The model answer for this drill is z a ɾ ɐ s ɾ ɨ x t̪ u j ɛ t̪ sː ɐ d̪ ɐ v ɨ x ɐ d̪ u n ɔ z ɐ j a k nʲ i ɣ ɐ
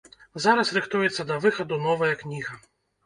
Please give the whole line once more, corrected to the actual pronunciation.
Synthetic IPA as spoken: z a ɾ ɐ s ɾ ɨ x t̪ u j ɛ t̪ sː ɐ d̪ ɐ v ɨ x ɐ d̪ u n ɔ v ɐ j ɐ k nʲ i ɣ ɐ